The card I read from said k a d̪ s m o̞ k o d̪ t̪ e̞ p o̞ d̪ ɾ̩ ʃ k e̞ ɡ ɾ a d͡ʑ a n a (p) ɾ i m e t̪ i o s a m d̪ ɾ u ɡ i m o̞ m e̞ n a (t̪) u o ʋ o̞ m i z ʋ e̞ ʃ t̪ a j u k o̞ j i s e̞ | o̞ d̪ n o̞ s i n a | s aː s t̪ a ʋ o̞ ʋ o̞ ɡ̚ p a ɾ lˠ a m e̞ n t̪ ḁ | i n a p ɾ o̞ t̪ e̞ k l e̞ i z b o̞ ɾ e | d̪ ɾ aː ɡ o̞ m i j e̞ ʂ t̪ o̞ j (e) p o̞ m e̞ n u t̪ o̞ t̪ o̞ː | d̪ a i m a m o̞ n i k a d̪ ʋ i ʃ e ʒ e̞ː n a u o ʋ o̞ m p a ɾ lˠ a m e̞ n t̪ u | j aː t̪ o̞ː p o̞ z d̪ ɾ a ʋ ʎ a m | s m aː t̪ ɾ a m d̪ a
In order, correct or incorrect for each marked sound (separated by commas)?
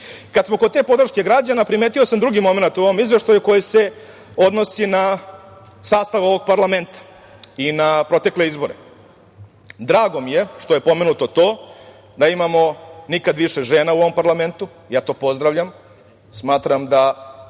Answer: correct, correct, correct